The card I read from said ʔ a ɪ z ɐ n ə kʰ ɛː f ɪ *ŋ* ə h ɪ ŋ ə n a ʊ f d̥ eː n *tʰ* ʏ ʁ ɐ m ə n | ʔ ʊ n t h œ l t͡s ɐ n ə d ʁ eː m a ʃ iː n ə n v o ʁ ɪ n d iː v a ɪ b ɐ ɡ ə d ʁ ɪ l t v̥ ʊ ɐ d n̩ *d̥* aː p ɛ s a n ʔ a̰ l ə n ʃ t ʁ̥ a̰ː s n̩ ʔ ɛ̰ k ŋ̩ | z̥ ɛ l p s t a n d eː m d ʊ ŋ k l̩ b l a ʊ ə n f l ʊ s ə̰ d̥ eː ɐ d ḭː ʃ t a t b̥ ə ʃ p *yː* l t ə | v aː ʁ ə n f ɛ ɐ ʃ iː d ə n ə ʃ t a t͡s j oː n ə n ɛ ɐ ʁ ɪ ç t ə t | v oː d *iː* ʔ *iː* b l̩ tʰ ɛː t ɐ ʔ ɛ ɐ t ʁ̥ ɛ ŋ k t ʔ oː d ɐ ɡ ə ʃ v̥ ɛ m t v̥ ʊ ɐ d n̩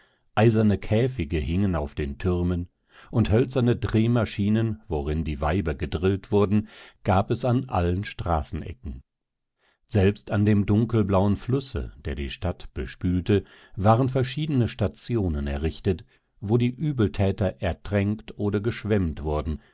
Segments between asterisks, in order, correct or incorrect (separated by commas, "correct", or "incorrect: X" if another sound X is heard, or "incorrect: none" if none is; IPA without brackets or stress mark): incorrect: ɡ, correct, incorrect: ɡ̥, correct, correct, incorrect: yː